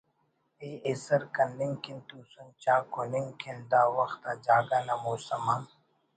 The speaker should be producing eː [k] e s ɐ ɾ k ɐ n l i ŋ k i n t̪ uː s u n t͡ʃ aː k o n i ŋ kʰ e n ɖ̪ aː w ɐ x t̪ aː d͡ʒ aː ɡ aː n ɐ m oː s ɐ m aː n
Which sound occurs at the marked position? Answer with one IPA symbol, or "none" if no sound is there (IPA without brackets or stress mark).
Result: none